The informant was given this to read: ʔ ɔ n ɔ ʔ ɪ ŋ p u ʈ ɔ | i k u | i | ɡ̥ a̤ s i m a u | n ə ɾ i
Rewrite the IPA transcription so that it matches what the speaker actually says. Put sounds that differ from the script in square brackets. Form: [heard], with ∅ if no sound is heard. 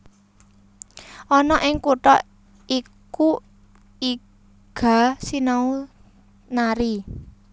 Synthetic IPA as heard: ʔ ɔ n ɔ ʔ ɪ ŋ [k] u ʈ ɔ | i k u | i | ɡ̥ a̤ s i [n] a u | n [a] ɾ i